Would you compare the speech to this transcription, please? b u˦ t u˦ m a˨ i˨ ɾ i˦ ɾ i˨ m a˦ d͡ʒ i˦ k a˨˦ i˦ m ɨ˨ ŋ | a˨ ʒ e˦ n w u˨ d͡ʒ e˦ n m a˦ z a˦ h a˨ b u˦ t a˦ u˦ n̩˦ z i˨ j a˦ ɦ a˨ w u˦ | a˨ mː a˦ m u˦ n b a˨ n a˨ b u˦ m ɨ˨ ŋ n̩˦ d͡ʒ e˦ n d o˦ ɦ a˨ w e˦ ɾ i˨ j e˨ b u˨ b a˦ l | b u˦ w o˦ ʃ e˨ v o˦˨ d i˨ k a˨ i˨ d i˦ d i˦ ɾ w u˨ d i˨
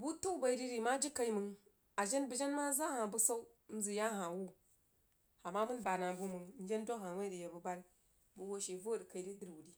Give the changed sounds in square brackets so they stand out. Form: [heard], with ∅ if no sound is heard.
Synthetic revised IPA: b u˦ t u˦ [b] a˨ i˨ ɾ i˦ ɾ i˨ m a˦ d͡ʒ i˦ k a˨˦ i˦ m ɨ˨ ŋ | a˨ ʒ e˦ n [b] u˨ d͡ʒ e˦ n m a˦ z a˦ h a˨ b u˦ [s] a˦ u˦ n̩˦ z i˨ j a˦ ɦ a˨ w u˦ | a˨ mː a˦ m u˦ n b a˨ n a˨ b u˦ m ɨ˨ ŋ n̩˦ d͡ʒ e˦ n d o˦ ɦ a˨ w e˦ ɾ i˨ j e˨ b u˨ b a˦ l | b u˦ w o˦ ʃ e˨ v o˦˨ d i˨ k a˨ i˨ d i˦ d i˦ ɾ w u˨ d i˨